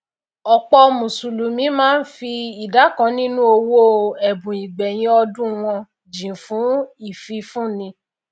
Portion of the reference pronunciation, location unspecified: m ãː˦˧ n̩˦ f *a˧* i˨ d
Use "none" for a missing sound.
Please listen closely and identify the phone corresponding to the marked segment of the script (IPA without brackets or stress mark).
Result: i˧